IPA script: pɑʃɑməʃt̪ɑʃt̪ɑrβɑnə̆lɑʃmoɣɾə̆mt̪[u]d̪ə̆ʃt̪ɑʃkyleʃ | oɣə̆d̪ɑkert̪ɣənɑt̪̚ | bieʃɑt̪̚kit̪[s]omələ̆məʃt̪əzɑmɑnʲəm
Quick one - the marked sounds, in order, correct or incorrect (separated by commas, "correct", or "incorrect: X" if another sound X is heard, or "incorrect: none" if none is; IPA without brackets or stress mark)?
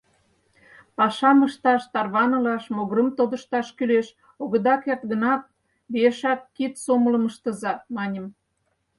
incorrect: o, correct